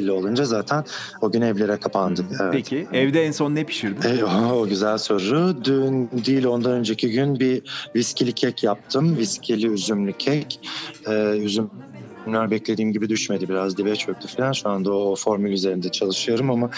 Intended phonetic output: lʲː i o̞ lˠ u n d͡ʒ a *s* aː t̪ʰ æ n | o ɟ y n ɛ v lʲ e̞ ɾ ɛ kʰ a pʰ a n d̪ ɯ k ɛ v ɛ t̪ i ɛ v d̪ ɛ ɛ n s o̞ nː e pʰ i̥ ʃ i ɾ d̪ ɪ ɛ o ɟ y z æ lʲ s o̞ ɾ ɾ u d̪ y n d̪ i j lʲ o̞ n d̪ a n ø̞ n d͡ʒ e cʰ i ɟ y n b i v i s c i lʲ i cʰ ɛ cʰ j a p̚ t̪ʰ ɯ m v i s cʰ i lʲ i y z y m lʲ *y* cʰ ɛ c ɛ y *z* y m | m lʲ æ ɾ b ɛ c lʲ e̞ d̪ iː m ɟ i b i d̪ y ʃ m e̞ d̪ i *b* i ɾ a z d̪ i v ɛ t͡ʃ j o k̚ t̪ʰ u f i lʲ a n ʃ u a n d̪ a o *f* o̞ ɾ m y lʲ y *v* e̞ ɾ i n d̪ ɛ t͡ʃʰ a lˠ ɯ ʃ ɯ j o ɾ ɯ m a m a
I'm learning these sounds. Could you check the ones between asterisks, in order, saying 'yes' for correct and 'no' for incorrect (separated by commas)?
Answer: no, yes, yes, yes, yes, no